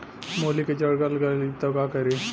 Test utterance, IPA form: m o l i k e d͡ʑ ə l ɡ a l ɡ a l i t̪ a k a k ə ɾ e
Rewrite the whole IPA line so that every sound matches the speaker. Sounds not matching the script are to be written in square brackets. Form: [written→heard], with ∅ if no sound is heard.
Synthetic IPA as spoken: m o l i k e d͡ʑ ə [l→ɽ] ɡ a l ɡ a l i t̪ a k a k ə ɾ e